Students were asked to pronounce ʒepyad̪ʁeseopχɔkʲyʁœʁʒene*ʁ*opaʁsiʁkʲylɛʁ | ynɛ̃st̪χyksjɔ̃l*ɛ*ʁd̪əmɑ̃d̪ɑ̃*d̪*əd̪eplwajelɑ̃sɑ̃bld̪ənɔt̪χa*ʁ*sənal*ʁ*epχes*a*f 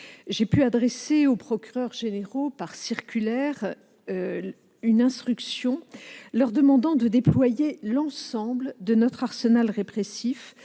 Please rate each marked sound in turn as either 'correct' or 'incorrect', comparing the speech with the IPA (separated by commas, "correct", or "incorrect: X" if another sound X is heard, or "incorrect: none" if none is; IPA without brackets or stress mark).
correct, incorrect: œ, correct, correct, correct, incorrect: i